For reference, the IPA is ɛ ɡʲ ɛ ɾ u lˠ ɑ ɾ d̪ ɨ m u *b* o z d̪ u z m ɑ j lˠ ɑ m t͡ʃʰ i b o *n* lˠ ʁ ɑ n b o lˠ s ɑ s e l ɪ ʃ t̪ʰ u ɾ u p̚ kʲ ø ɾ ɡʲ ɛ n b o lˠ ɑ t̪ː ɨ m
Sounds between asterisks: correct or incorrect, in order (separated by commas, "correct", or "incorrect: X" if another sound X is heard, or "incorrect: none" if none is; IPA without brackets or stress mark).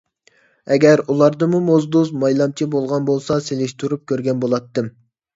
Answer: incorrect: m, incorrect: none